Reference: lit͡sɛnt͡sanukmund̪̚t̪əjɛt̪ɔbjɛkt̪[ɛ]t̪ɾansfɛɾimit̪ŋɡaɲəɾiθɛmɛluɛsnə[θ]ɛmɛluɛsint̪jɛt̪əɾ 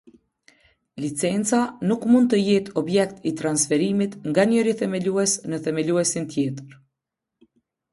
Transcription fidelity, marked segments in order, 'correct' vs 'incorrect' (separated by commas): incorrect, correct